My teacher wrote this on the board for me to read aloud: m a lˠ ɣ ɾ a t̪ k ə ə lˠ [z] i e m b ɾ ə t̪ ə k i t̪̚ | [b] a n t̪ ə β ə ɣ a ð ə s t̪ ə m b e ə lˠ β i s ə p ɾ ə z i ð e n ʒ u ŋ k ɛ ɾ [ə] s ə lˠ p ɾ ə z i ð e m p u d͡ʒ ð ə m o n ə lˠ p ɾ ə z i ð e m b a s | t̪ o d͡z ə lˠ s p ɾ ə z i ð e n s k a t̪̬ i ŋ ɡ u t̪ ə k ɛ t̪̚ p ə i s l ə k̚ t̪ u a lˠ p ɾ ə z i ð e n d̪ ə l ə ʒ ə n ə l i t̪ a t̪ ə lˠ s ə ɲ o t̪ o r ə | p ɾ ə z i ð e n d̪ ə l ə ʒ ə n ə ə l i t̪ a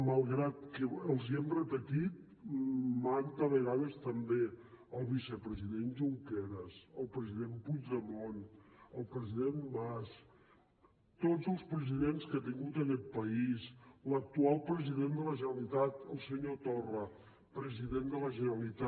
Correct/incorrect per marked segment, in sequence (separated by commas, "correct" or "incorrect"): correct, incorrect, correct